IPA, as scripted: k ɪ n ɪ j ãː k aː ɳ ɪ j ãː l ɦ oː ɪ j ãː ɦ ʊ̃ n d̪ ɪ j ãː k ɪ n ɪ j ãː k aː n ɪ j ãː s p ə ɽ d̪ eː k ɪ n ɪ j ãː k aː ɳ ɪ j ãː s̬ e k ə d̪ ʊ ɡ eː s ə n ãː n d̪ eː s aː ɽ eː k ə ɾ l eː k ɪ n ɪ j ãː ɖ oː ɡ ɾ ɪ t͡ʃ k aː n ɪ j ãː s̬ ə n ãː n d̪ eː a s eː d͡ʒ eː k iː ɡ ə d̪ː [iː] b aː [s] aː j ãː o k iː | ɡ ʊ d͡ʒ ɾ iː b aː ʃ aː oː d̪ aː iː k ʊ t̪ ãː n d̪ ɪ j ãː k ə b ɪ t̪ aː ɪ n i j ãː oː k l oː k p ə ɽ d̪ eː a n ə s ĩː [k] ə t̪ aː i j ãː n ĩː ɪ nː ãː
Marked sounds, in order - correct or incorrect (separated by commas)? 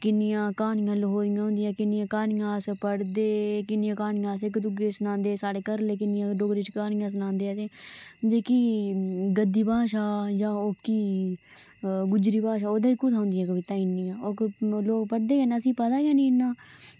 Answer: correct, incorrect, incorrect